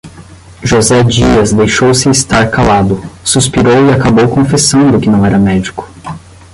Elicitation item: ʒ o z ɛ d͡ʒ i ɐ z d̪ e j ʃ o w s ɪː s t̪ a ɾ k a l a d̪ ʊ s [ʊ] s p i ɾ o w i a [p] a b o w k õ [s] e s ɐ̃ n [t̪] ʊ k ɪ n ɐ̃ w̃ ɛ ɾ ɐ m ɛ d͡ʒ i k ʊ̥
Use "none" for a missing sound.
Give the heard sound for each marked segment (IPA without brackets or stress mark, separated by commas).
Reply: u, k, f, d̪